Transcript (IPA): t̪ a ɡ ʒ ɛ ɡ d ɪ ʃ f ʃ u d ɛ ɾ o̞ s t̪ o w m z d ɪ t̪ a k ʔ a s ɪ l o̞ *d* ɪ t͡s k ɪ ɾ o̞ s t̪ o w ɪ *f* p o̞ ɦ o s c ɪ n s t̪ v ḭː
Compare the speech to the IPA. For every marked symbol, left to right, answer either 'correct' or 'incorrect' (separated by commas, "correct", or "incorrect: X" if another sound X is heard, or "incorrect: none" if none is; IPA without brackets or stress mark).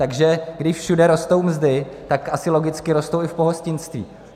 incorrect: ɡ, correct